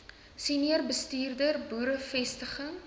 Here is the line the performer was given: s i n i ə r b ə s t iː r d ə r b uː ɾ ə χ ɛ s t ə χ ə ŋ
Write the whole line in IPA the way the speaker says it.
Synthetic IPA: s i n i ə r b ə s t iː r d ə r b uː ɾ ə f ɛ s t ə χ ə ŋ

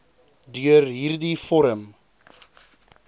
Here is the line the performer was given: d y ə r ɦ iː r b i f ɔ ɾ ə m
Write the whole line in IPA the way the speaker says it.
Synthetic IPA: d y ə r ɦ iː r d i f ɔ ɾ ə m

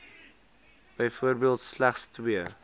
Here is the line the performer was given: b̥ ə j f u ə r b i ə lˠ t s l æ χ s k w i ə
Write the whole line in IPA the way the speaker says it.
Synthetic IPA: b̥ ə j f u ə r b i ə lˠ t s l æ χ s t w i ə

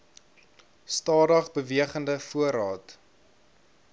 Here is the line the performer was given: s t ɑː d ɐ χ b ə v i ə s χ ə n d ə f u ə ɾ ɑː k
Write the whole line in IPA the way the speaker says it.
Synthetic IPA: s t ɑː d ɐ χ b ə v i ə χ ə n d ə f u ə ɾ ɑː t

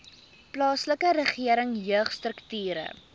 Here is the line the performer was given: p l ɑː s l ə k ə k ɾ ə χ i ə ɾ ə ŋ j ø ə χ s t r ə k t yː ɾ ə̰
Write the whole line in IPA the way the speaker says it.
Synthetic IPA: p l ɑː s l ə k ə ɾ ə χ i ə ɾ ə ŋ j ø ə χ s t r ə k t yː ɾ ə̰

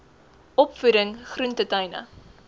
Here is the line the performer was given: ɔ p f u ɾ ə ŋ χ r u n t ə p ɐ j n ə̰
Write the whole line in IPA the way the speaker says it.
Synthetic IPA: ɔ p f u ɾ ə ŋ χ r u n t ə t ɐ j n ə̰

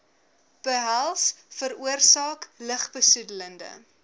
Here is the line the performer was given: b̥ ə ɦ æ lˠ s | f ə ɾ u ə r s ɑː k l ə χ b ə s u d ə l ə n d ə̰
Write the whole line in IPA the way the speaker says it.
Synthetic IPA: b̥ ə ɦ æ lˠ s | f ə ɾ u ə r s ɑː k l ə χ b ə s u d ə l ə n d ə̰

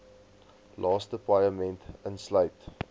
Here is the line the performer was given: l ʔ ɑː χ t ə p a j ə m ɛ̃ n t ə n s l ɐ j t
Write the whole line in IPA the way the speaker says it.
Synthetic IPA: l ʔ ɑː s t ə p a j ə m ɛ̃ n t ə n s l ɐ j t

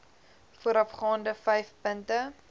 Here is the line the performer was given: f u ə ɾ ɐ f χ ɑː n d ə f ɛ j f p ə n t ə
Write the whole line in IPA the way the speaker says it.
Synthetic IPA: f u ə ɾ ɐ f χ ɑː n d ə f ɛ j f p ə n t ə

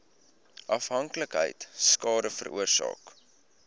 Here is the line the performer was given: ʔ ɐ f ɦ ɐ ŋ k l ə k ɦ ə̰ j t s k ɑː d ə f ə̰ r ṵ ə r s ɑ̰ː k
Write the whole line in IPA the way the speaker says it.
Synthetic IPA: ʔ ɐ f ɦ ɐ ŋ k l ə k ɦ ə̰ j t s k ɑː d ə f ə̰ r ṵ ə r s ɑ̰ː k

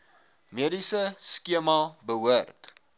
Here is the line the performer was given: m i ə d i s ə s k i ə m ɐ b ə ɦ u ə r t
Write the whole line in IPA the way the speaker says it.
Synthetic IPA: m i ə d i s ə s k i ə m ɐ b ə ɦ u ə r t

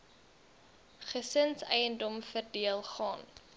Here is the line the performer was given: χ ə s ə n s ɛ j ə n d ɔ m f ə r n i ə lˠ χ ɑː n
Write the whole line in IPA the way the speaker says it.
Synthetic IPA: χ ə s ə n s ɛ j ə n d ɔ m f ə r d i ə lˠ χ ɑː n

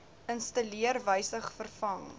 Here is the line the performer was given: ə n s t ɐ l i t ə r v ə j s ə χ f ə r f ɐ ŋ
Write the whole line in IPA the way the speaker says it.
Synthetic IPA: ə n s t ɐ l i ə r v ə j s ə χ f ə r f ɐ ŋ

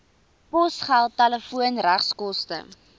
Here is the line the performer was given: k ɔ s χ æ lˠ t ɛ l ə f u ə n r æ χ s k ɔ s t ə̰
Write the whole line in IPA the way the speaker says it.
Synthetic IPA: p ɔ s χ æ lˠ t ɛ l ə f u ə n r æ χ s k ɔ s t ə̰

